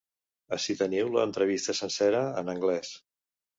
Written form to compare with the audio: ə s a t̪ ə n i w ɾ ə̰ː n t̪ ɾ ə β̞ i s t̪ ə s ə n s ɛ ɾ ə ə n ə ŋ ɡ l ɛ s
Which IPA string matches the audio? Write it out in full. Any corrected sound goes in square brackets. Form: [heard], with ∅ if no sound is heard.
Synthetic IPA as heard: ə s [i] t̪ ə n i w [l] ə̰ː n t̪ ɾ ə β̞ i s t̪ ə s ə n s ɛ ɾ ə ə n ə ŋ ɡ l ɛ s